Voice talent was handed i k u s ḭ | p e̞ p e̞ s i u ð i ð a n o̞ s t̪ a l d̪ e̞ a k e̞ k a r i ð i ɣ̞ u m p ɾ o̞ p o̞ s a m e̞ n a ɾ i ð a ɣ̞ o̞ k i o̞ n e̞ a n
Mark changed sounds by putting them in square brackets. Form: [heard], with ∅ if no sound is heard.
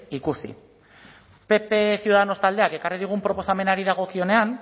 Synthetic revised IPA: i k u s ḭ | p e̞ p e̞ s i u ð [a] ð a n o̞ s t̪ a l d̪ e̞ a k e̞ k a r i ð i ɣ̞ u m p ɾ o̞ p o̞ s a m e̞ n a ɾ i ð a ɣ̞ o̞ k i o̞ n e̞ a n